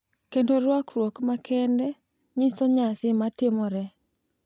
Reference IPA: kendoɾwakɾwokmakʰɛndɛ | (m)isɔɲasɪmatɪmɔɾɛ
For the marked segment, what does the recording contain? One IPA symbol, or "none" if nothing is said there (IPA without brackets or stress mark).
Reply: ɲ